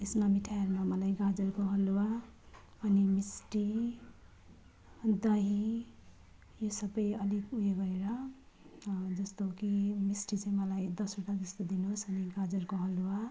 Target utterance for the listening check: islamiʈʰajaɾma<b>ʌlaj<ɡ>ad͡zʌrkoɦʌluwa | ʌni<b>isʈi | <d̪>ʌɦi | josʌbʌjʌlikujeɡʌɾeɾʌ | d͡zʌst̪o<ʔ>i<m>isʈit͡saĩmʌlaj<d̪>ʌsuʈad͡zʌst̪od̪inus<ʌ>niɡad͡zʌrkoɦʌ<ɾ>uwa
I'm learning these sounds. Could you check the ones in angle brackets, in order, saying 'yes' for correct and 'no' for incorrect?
no, yes, no, yes, no, yes, yes, yes, no

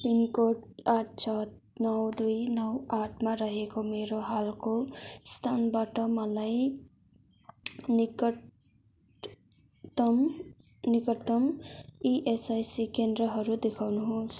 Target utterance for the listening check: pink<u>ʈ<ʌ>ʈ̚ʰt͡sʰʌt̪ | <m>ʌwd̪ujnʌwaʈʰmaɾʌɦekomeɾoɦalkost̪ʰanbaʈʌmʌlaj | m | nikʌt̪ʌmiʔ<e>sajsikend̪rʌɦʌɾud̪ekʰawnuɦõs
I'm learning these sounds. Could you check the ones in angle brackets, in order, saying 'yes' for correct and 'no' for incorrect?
no, no, no, yes

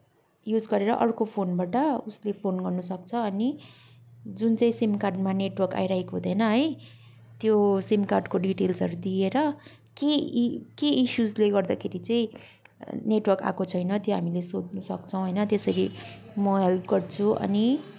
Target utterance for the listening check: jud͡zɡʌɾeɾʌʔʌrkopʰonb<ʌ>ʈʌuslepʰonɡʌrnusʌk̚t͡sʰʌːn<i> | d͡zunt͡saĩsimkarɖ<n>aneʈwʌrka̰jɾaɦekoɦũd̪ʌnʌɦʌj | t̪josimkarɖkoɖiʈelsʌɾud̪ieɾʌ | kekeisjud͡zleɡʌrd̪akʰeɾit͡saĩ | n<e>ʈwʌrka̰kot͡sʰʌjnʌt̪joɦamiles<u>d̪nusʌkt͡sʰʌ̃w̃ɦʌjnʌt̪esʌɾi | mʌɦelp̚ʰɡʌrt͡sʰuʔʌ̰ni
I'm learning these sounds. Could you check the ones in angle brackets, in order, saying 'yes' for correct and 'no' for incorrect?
no, yes, no, yes, no

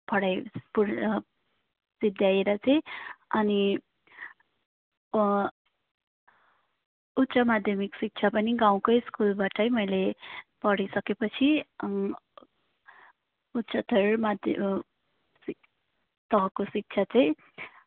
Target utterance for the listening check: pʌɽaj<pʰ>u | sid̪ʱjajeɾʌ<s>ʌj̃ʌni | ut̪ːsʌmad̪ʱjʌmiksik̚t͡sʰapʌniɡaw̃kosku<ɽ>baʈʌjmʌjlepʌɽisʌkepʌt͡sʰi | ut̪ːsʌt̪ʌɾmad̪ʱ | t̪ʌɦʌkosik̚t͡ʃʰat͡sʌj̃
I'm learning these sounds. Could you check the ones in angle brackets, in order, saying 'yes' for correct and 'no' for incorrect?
no, no, no

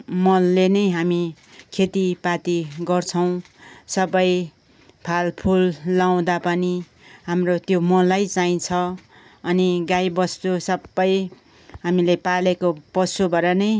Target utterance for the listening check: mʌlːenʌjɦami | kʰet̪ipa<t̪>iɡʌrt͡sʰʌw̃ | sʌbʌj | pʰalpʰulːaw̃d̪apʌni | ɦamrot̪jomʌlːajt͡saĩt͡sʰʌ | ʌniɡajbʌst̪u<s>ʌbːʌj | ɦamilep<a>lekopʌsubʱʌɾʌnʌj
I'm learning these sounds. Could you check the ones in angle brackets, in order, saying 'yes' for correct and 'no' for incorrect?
yes, yes, yes

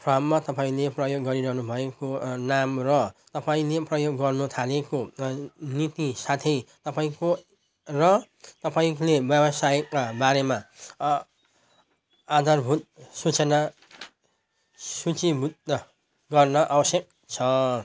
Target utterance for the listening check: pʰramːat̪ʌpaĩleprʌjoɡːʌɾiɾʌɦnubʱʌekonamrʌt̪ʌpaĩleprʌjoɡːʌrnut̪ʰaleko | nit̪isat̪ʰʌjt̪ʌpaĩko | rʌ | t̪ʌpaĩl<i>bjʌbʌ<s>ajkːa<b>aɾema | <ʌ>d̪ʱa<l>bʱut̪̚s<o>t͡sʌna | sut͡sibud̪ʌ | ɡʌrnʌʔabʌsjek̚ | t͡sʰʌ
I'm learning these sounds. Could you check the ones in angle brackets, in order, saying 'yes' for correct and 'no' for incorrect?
no, yes, yes, no, no, no

